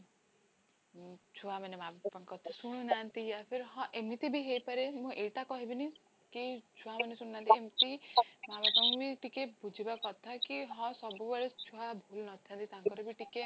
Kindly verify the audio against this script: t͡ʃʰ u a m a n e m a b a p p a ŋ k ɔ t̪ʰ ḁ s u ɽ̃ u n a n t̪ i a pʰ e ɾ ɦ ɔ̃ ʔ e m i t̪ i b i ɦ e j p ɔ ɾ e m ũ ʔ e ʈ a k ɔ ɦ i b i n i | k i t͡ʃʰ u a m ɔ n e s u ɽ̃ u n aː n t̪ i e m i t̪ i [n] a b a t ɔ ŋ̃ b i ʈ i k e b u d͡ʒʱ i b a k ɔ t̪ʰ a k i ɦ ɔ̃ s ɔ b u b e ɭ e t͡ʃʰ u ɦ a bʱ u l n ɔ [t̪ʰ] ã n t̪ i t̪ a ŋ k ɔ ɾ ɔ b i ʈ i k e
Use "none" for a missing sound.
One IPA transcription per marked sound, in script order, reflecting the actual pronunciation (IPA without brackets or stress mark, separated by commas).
m, t̪ʰ